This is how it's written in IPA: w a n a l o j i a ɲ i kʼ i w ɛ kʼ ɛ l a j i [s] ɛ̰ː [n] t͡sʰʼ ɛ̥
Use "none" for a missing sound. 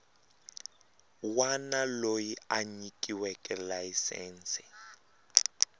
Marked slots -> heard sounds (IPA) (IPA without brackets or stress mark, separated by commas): s, n